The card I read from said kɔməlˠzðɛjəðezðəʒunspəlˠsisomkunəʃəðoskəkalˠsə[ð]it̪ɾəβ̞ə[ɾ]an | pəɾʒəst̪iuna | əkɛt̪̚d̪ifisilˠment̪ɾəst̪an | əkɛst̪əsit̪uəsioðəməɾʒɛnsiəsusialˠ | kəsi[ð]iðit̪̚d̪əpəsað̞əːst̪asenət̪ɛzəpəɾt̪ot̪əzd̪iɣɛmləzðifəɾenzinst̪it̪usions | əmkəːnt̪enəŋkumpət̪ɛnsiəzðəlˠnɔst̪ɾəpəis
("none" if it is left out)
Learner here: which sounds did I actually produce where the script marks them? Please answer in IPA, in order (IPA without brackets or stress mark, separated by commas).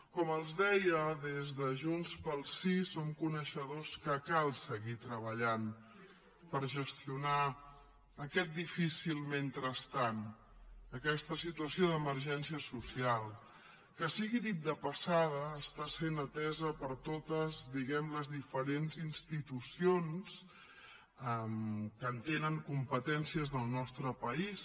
ɣ, ʎ, ɣ